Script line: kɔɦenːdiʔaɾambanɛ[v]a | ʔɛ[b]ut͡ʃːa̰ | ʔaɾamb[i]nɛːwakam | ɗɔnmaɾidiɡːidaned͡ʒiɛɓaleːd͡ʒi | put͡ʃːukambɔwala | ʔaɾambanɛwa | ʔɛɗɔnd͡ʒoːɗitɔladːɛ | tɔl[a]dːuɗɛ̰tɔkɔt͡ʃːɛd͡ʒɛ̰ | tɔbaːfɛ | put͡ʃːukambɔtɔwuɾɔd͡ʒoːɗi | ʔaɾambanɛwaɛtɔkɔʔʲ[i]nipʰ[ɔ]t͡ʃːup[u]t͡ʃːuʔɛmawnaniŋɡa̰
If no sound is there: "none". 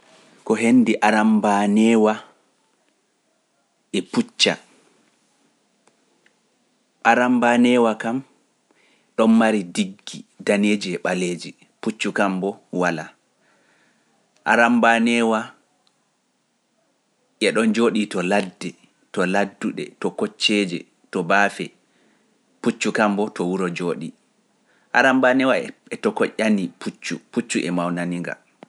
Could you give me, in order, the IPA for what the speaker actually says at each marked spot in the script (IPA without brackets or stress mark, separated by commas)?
w, p, a, a, a, u, u